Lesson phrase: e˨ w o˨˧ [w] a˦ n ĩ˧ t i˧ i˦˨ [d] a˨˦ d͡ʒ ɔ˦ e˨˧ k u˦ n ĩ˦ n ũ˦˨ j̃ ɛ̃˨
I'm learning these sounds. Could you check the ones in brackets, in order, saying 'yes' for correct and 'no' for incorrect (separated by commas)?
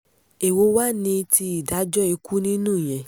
yes, yes